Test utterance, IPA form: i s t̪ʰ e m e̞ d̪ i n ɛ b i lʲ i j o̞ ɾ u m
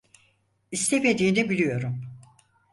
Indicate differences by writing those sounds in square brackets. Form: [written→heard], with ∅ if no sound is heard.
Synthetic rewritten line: i s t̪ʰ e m e̞ d̪ [i→iː] n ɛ b i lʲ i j o̞ ɾ u m